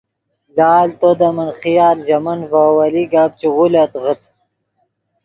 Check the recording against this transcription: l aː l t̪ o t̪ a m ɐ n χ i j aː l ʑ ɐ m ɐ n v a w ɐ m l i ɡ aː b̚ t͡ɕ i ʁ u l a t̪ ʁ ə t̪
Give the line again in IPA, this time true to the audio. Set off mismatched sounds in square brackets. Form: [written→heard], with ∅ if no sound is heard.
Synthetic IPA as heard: l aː l t̪ o [t̪→d̪] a m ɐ n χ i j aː l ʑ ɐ m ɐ n v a w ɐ [m→∅] l i ɡ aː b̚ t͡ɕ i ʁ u l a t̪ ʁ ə t̪